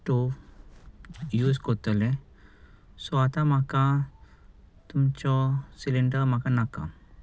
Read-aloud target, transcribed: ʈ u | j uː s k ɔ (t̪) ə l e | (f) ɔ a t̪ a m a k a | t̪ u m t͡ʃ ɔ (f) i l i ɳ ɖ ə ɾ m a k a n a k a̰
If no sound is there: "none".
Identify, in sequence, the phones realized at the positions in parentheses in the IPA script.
t̪, s, s

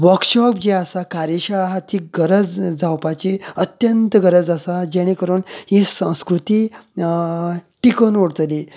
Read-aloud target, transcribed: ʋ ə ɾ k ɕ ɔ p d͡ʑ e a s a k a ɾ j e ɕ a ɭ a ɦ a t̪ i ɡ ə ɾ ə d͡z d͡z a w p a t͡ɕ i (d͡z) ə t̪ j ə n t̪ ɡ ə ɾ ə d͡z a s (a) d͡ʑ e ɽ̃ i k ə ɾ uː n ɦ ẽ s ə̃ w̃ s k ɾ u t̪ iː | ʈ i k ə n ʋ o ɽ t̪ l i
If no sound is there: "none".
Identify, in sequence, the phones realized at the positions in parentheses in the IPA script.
none, a

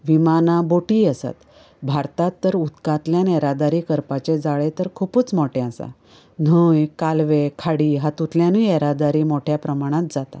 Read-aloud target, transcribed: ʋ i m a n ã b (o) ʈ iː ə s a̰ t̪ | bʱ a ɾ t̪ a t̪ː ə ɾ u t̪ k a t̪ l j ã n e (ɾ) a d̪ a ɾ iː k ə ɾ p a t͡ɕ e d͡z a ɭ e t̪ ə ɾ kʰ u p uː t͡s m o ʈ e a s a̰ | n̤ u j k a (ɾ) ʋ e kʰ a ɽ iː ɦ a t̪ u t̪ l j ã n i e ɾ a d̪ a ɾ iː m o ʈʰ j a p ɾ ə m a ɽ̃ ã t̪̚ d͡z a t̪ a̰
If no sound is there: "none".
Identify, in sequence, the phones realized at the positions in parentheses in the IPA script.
o, ɾ, l

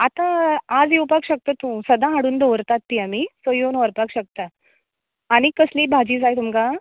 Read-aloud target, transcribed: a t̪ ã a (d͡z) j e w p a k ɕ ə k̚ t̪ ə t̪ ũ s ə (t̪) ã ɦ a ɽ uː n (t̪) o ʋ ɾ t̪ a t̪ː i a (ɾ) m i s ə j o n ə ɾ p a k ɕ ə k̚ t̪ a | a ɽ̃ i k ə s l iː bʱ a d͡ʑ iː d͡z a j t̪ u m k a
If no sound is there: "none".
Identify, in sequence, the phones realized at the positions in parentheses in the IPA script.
d͡z, d̪, d̪, none

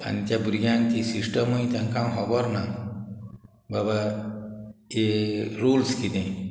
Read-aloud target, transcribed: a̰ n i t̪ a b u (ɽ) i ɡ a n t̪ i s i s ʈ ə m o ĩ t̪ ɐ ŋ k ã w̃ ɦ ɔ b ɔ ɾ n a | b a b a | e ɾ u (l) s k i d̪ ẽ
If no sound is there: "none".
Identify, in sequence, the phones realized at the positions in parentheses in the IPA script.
ɾ, l

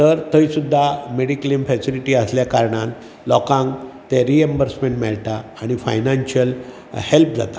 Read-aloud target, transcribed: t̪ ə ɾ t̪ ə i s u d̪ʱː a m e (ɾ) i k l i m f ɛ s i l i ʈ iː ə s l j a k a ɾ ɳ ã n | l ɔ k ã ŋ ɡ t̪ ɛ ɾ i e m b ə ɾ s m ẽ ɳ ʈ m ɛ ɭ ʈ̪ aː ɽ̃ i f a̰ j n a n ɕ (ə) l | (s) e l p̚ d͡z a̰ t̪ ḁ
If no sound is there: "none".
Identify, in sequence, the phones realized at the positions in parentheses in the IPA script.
ɽ, ə, h

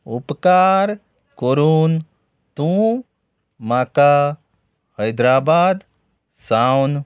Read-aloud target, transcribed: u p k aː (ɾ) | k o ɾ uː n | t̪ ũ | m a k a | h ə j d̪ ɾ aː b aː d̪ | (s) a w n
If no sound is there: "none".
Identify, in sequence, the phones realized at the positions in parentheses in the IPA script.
ɾ, s

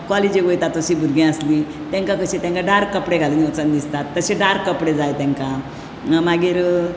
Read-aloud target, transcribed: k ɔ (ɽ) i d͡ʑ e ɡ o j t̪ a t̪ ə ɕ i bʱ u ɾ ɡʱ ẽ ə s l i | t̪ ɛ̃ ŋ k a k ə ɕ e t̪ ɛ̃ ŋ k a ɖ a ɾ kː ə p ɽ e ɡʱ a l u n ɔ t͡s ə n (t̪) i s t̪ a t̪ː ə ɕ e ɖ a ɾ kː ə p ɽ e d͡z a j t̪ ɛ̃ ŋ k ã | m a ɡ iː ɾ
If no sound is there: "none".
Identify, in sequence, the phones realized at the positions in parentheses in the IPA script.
l, d̪

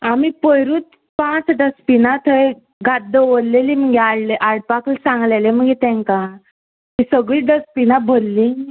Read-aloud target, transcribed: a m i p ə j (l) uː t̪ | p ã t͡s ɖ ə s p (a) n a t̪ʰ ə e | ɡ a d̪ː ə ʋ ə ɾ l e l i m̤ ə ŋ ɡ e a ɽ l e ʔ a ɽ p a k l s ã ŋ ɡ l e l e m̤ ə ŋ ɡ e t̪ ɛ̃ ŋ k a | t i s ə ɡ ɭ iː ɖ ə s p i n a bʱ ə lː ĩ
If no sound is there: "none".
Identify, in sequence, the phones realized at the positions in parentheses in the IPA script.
ɾ, i

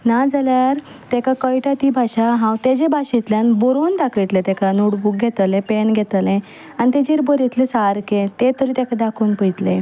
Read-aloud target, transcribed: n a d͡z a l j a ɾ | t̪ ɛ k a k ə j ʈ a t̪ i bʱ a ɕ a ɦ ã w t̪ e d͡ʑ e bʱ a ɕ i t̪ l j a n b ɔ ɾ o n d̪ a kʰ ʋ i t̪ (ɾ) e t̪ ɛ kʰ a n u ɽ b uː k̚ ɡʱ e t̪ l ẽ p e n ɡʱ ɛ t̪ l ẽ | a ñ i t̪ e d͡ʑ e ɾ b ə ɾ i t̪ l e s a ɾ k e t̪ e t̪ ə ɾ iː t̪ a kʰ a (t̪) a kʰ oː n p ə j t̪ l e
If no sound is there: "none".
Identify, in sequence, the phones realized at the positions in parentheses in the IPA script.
l, d̪

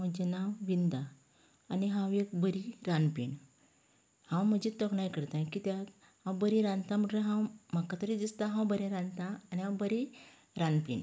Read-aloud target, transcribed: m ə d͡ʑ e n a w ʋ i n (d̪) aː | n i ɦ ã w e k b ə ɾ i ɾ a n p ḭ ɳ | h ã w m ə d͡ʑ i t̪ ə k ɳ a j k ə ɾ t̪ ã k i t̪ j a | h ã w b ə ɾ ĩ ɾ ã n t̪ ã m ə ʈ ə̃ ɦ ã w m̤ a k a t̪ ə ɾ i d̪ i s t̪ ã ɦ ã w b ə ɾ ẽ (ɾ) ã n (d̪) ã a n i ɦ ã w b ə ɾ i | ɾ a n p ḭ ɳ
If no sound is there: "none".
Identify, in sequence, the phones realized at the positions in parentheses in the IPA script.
d̪, ɾ, t̪

